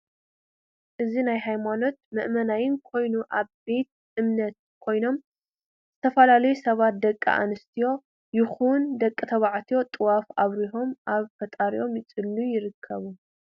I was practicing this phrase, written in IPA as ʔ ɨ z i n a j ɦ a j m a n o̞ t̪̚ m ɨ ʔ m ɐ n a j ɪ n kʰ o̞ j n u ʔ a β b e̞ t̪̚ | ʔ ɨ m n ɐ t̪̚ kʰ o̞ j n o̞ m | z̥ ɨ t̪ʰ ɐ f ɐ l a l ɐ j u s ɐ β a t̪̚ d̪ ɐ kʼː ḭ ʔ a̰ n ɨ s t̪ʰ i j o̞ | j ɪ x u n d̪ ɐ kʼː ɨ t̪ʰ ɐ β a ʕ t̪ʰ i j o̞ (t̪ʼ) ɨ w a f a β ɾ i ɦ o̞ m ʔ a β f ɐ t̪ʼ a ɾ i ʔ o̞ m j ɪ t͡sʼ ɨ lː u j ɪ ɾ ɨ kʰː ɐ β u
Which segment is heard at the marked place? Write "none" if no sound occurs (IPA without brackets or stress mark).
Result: t̪ʼ